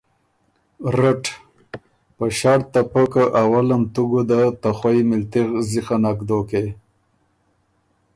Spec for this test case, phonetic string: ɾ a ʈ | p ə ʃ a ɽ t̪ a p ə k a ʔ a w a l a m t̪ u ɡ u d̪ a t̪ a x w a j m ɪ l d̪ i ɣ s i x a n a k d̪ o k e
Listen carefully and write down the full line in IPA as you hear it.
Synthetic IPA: ɾ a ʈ | p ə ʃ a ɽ t̪ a p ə k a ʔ a w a l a m t̪ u ɡ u d̪ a t̪ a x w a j m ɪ l t̪ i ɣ z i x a n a k d̪ o k e